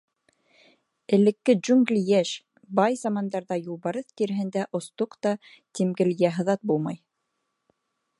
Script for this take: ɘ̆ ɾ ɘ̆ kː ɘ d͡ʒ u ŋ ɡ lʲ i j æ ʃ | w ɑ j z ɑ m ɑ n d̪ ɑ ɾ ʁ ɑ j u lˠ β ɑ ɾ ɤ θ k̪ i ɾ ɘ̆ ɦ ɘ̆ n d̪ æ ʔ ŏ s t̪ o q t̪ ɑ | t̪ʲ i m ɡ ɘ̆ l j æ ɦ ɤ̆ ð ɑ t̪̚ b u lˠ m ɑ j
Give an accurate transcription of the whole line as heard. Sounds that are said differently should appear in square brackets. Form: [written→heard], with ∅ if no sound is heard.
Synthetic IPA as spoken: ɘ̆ [ɾ→l] ɘ̆ kː ɘ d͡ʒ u ŋ ɡ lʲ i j æ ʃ | [w→b] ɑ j z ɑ m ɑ n d̪ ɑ ɾ [ʁ→ð] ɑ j u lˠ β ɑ ɾ ɤ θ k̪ i ɾ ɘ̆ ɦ ɘ̆ n d̪ æ ʔ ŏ s t̪ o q t̪ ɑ | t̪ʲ i m ɡ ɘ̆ l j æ ɦ ɤ̆ ð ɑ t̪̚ b u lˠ m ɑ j